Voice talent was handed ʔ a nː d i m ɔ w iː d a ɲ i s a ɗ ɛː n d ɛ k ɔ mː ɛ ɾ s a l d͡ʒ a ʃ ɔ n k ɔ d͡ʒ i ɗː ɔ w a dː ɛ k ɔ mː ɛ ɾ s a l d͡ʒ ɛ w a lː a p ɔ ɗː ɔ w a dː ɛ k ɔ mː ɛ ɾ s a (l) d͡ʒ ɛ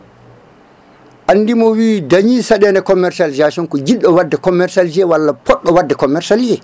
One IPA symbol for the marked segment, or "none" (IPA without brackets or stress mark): l